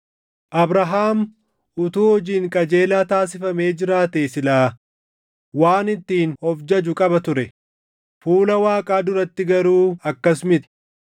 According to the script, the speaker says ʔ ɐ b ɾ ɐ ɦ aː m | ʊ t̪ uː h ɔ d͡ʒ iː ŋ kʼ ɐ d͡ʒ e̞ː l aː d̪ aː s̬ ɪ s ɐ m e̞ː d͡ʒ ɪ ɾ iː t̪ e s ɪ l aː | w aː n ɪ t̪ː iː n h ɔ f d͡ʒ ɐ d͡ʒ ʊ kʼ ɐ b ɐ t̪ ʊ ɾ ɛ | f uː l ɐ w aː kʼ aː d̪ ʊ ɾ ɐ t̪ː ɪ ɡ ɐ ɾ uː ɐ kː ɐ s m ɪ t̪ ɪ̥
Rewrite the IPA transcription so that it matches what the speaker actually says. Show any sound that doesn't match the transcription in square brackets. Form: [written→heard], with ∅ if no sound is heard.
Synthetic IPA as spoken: ʔ ɐ b ɾ ɐ ɦ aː m | ʊ t̪ uː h ɔ d͡ʒ iː ŋ kʼ ɐ d͡ʒ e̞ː l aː [d̪→t̪] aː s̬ ɪ [s→f] ɐ m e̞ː d͡ʒ ɪ ɾ [iː→aː] t̪ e s ɪ l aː | w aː n ɪ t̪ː iː n h ɔ f d͡ʒ ɐ d͡ʒ ʊ kʼ ɐ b ɐ t̪ ʊ ɾ ɛ | f uː l ɐ w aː kʼ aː d̪ ʊ ɾ ɐ t̪ː ɪ ɡ ɐ ɾ uː ɐ kː ɐ s m ɪ t̪ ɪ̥

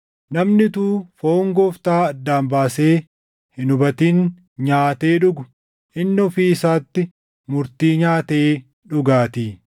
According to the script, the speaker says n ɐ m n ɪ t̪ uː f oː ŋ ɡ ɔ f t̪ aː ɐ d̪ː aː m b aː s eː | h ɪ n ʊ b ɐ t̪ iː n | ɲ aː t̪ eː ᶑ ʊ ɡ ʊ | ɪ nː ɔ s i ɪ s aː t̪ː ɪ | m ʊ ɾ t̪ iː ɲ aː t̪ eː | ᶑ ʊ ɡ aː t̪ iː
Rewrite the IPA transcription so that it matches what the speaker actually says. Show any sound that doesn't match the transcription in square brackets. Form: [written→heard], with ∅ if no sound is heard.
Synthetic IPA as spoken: n ɐ m n ɪ t̪ uː f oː ŋ ɡ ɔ f t̪ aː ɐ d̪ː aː m b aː s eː | h ɪ n ʊ b ɐ t̪ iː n | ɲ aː t̪ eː ᶑ ʊ ɡ ʊ | ɪ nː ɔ [s→f] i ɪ s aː t̪ː ɪ | m ʊ ɾ t̪ iː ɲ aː t̪ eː | ᶑ ʊ ɡ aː t̪ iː

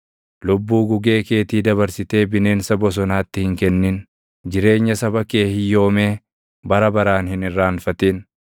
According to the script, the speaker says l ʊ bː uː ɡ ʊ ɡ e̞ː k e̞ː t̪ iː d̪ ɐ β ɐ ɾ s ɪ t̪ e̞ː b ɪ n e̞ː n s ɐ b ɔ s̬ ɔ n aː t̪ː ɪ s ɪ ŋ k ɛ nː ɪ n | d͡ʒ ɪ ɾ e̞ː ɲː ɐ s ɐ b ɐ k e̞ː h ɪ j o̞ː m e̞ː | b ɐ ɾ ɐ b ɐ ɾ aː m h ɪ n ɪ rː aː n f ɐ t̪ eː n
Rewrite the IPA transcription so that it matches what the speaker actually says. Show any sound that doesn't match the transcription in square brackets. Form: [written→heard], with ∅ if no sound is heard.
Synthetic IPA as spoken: l ʊ bː uː ɡ ʊ ɡ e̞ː k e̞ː t̪ iː d̪ ɐ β ɐ ɾ s ɪ t̪ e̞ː b ɪ n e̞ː n s ɐ b ɔ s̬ ɔ n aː t̪ː ɪ [s→h] ɪ ŋ k ɛ nː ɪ n | d͡ʒ ɪ ɾ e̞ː ɲː ɐ s ɐ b ɐ k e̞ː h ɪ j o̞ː m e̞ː | b ɐ ɾ ɐ b ɐ ɾ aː [m→n] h ɪ n ɪ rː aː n f ɐ t̪ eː n

